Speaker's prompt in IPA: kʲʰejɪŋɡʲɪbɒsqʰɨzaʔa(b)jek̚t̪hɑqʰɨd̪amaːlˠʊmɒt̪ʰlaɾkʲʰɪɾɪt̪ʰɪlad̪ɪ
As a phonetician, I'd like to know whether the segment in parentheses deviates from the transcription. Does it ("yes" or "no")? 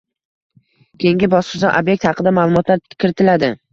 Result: no